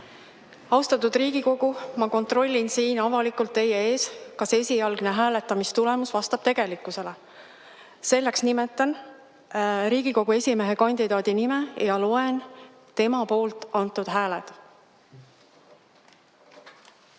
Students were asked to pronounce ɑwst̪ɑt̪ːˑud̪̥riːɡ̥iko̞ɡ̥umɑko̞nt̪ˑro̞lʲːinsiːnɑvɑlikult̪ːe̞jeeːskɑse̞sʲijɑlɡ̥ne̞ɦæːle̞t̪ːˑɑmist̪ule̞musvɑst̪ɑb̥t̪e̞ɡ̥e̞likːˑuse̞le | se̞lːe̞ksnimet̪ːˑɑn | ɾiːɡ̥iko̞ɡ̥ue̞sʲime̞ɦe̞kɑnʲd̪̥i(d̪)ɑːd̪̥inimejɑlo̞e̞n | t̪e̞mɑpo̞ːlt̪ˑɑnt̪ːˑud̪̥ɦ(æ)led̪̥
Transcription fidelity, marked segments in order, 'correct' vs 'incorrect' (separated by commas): correct, incorrect